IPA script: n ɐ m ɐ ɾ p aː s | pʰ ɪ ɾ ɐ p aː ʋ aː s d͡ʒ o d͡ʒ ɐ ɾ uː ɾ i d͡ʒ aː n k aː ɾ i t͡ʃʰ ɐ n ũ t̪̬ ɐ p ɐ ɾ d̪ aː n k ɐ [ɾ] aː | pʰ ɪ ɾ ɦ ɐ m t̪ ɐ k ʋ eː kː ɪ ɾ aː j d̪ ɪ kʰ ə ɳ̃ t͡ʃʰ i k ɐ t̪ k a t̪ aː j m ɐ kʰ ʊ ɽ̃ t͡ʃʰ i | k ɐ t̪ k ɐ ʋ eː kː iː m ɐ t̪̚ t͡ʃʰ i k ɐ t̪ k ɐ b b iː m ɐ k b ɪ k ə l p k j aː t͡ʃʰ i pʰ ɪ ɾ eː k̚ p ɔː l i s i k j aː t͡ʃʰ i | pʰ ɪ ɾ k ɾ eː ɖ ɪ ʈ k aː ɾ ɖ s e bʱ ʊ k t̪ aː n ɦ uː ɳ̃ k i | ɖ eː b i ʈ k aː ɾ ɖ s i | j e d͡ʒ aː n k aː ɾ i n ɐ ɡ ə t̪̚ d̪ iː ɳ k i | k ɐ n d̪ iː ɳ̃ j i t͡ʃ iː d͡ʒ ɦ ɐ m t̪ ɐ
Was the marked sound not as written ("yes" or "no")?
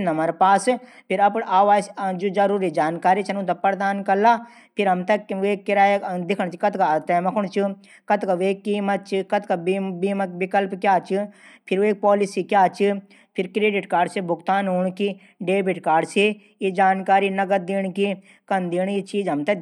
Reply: yes